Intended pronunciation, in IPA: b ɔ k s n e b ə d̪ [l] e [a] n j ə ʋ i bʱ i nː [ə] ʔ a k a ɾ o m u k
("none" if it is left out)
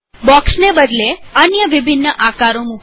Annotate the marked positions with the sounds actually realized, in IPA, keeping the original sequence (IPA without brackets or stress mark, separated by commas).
l, ə, ə